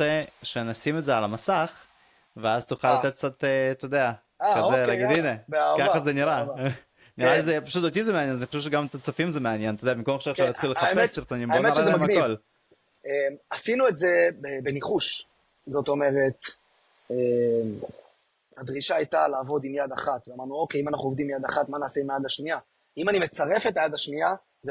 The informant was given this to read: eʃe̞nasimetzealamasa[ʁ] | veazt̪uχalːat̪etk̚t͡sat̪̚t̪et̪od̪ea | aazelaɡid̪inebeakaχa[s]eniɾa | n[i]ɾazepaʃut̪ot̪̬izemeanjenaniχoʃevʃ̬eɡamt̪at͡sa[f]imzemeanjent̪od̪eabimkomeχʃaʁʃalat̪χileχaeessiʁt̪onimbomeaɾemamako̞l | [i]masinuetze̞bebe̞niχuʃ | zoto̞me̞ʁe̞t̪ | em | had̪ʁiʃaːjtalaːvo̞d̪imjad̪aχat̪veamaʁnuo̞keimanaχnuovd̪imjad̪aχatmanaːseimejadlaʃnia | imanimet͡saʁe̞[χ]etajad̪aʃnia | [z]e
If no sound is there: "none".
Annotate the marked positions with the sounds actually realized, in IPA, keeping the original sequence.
χ, z, i, f, e, f, z

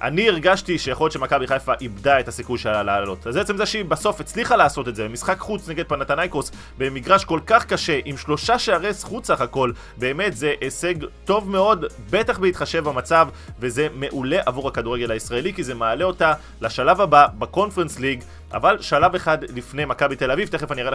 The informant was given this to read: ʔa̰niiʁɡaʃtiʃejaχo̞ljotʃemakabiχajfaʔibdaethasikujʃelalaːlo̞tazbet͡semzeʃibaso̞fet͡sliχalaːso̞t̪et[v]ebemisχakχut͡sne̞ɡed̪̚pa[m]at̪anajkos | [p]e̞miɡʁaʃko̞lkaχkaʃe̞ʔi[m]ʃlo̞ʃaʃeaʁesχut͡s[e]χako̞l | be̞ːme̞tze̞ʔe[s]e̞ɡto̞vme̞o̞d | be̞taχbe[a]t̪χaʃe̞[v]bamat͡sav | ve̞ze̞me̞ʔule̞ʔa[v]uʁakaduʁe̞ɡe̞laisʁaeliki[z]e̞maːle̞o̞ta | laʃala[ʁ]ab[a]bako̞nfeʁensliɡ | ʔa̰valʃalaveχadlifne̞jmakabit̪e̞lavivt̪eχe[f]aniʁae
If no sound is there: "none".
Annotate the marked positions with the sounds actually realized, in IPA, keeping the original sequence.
z, n, b, m, a, s, i, v, v, z, v, a, f

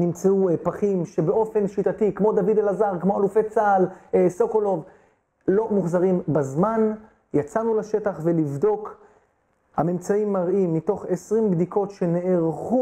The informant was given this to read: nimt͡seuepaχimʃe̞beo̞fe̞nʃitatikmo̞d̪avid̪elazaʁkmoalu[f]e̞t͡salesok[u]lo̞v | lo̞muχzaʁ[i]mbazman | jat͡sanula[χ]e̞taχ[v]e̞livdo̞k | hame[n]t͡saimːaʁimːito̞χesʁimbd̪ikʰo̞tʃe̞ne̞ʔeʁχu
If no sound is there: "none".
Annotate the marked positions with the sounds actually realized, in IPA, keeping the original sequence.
f, o, i, ʃ, v, m

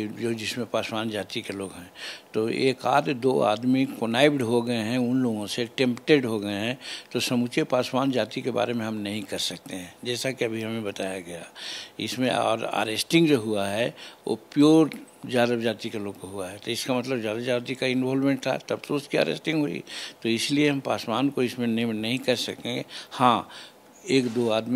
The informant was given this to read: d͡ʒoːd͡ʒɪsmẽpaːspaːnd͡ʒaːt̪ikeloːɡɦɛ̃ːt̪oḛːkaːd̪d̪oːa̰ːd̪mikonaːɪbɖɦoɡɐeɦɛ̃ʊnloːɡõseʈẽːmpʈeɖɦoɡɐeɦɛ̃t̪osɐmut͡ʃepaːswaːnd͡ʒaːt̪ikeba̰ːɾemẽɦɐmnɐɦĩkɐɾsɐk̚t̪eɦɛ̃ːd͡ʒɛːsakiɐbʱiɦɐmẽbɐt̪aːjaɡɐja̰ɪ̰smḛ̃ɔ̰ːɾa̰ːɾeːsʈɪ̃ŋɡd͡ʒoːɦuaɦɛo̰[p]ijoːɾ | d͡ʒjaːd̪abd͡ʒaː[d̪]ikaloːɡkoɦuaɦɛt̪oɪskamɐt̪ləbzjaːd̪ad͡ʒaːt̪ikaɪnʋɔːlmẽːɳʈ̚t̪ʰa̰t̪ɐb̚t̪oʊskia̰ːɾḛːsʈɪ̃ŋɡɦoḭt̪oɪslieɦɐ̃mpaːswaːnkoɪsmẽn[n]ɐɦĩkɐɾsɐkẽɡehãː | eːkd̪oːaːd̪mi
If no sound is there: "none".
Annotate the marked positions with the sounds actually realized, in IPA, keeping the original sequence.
p, t̪, n

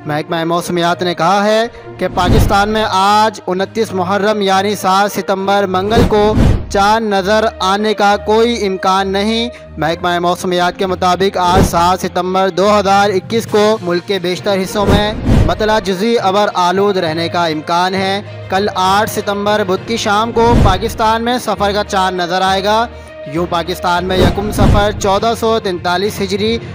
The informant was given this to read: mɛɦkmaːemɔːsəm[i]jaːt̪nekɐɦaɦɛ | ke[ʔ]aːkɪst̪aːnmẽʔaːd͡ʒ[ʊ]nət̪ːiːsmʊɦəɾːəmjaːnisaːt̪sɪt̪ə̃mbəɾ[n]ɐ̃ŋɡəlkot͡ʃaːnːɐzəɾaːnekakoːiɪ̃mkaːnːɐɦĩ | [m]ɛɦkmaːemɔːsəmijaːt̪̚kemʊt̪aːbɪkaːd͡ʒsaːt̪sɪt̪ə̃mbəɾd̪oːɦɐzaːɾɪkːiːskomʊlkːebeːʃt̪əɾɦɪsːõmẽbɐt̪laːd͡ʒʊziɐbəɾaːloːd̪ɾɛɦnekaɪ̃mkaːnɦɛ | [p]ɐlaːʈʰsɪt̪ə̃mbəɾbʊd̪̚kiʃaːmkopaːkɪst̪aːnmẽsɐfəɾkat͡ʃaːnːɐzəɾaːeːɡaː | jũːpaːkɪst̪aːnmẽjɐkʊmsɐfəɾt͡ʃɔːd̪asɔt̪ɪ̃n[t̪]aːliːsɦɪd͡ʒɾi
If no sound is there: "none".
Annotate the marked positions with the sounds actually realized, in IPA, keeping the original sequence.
i, p, ʊ, m, m, k, t̪

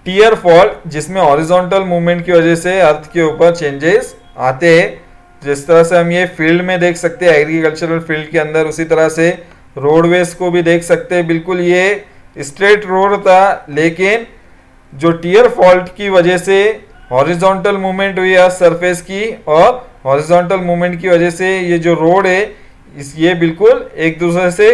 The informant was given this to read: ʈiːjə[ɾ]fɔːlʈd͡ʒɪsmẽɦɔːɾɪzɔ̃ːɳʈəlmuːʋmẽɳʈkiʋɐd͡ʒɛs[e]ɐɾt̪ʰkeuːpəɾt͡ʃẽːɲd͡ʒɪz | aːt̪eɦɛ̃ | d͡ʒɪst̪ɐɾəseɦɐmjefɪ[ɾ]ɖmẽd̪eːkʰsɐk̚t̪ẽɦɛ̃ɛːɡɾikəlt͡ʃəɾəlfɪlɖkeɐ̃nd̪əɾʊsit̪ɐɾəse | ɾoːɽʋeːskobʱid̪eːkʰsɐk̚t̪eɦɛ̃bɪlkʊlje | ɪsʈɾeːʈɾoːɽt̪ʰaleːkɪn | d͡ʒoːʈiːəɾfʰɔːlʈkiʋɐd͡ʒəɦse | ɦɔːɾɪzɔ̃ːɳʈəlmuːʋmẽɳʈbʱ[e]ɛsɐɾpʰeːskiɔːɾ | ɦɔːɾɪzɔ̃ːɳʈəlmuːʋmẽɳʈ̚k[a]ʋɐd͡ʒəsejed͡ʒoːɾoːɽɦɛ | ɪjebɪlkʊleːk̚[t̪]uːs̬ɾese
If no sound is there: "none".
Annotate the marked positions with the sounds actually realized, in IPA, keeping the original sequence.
ɾ, e, l, i, i, d̪

